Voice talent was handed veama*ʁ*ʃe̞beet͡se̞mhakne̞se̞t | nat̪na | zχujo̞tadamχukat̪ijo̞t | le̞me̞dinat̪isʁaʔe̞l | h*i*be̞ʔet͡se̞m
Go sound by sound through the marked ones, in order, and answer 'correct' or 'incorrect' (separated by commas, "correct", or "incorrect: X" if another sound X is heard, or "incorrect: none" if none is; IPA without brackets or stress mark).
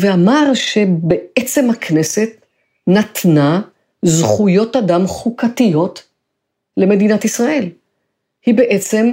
correct, correct